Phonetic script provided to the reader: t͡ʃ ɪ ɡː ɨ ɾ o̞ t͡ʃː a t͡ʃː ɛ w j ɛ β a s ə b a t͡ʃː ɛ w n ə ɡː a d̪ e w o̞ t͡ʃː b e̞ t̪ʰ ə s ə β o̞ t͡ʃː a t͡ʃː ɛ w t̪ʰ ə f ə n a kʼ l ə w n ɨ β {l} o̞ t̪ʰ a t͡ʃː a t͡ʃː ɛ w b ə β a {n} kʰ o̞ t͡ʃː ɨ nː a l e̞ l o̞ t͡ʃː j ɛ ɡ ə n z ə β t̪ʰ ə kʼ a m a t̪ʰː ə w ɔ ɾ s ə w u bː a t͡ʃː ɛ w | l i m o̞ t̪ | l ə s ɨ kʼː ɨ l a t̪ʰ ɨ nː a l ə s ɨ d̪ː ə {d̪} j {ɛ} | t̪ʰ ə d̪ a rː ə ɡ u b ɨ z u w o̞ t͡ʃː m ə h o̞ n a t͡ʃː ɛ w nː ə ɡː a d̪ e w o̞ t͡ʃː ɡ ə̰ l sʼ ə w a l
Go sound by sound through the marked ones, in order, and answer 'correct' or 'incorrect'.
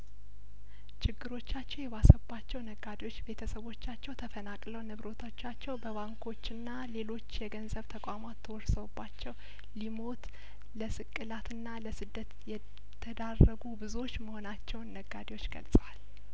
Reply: incorrect: ɾ, incorrect: ŋ, incorrect: t̪, correct

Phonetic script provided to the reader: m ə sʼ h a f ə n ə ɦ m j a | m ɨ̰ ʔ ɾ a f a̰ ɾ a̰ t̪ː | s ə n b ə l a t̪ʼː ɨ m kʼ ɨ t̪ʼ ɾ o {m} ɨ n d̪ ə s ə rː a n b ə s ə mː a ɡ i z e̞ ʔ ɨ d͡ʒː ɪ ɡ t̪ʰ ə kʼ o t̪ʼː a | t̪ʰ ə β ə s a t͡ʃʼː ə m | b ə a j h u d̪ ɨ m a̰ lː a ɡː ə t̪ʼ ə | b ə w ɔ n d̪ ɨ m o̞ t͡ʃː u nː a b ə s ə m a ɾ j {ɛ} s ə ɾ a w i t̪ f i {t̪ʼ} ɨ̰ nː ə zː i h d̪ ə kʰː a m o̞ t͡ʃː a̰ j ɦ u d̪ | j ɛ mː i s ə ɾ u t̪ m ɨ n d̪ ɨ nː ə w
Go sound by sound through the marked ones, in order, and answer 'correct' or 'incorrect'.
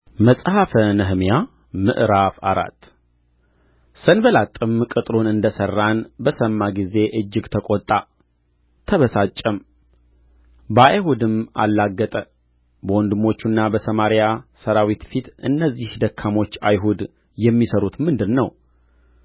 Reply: incorrect: n, incorrect: a, incorrect: t̪

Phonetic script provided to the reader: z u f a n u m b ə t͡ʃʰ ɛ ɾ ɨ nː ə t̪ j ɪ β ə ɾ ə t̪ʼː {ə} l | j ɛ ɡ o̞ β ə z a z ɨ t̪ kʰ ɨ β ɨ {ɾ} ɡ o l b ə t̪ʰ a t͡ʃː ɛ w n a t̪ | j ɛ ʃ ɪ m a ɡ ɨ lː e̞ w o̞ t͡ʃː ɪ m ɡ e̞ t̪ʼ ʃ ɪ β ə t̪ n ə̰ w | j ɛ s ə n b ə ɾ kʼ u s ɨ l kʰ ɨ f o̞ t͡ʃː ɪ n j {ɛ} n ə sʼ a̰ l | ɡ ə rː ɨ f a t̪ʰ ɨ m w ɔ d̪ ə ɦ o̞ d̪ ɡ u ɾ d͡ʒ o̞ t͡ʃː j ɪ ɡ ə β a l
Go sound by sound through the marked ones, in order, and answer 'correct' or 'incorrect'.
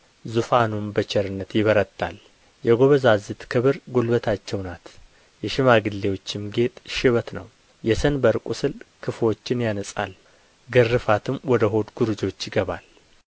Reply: incorrect: a, correct, incorrect: a

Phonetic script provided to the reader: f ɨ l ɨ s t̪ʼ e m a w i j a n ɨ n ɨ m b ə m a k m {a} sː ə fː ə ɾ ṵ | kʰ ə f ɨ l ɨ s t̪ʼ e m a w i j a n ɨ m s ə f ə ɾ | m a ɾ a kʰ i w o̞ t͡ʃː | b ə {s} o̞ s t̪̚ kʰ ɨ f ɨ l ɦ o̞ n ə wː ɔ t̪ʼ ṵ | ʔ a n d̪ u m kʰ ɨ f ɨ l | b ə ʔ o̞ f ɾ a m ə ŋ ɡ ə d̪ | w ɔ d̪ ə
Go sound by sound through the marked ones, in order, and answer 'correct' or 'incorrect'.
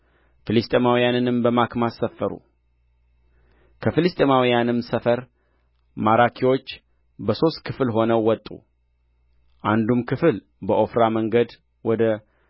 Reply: correct, correct

